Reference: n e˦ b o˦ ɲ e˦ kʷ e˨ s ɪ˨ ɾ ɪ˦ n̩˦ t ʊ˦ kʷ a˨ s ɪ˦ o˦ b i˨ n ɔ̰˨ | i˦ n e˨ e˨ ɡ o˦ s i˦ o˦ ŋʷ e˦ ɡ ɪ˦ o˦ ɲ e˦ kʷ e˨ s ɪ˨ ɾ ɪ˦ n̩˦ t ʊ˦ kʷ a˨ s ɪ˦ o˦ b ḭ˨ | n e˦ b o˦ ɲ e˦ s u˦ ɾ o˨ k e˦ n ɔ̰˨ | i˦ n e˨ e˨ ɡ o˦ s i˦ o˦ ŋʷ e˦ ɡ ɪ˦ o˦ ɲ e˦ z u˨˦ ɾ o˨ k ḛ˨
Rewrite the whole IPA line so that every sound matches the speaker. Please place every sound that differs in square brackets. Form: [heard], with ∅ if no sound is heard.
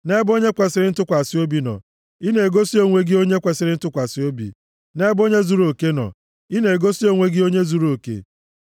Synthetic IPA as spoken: n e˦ b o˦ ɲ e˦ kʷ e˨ s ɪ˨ ɾ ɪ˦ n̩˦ t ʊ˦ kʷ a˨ s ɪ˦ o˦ b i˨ n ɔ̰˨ | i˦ n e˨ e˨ ɡ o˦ s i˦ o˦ ŋʷ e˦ ɡ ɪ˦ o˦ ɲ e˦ kʷ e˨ s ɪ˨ ɾ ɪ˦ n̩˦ t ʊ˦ kʷ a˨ s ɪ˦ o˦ b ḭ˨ | n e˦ b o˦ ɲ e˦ [z] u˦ ɾ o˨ k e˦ n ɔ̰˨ | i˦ n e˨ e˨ ɡ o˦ s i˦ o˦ ŋʷ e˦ ɡ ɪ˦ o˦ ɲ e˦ z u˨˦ ɾ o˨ k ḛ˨